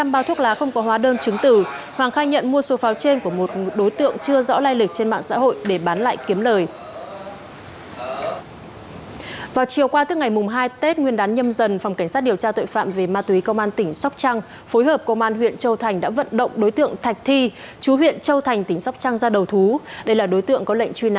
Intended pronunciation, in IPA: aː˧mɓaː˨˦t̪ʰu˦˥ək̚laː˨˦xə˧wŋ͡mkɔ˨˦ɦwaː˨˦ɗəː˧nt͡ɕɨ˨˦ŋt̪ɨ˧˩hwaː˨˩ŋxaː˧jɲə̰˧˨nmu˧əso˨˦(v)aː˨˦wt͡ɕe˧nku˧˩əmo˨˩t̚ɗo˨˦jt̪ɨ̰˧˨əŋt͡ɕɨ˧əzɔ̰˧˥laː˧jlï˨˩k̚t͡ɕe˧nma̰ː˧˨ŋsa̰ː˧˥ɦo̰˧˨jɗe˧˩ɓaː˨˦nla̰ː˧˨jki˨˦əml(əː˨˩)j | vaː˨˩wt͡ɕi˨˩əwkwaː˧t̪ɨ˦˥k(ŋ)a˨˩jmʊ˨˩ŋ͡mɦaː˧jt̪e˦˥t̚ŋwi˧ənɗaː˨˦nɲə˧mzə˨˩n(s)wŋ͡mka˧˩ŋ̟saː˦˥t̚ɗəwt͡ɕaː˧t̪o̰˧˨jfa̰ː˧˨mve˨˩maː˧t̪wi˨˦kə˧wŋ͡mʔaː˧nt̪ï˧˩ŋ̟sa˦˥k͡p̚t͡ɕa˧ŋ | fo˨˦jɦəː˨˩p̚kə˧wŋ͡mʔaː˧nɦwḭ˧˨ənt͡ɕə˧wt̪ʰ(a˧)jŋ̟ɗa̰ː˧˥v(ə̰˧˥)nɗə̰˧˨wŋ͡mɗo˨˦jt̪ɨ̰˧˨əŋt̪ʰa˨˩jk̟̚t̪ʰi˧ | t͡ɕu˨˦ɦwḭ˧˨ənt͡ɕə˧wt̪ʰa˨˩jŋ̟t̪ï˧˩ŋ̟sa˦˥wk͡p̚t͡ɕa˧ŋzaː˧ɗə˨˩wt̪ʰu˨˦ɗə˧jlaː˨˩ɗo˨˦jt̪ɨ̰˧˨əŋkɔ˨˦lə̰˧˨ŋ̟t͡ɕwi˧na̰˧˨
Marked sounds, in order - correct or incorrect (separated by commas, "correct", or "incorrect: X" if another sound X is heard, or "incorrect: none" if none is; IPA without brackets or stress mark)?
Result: incorrect: f, correct, correct, incorrect: f, incorrect: a˨˩, incorrect: ə̰˧˨